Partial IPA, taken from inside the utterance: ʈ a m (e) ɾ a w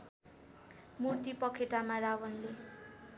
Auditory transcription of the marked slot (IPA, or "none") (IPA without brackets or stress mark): a